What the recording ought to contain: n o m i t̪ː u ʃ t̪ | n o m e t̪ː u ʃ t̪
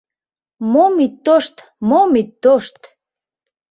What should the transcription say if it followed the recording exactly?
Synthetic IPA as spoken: m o m i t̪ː o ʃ t̪ | m o m i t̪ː o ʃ t̪